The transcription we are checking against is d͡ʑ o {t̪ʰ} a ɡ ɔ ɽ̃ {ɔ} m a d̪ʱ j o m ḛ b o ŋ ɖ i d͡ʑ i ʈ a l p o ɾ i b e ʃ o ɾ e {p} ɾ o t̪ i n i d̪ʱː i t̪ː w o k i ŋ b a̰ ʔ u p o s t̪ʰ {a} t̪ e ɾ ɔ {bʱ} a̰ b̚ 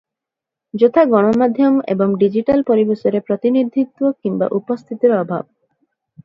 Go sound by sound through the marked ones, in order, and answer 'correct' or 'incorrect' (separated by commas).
correct, incorrect, correct, incorrect, correct